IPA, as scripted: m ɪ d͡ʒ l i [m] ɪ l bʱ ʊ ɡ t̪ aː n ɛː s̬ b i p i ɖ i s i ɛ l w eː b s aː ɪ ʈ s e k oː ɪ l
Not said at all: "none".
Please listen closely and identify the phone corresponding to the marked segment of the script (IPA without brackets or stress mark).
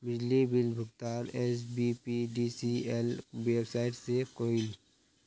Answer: b